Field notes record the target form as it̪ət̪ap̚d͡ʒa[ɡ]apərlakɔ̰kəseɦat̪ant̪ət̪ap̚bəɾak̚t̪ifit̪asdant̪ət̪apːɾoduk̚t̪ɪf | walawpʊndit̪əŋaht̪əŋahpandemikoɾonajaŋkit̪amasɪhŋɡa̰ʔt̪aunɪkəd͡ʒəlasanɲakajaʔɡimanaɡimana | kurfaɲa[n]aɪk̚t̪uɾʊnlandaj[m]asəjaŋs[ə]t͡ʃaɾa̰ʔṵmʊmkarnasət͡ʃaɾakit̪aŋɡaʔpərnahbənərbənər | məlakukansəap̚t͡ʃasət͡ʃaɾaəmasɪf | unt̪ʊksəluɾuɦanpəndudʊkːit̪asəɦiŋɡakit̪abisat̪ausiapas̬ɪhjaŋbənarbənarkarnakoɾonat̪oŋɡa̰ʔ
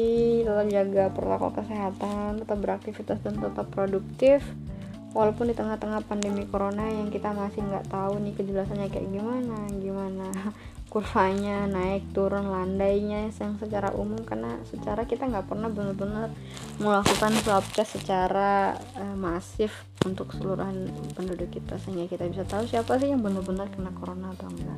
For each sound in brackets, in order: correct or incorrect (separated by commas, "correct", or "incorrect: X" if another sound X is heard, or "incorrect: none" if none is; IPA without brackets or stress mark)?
correct, correct, incorrect: ɲ, correct